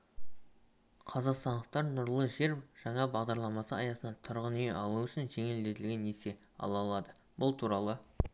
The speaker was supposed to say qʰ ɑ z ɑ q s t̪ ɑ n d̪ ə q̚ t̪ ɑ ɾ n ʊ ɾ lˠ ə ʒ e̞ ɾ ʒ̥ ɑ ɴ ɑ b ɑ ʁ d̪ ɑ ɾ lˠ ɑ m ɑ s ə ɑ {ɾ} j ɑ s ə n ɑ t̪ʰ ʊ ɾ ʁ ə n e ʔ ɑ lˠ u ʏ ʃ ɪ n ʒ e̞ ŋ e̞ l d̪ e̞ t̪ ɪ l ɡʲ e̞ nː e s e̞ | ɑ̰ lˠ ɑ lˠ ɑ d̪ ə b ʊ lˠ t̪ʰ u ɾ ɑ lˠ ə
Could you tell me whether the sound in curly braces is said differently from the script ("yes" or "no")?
yes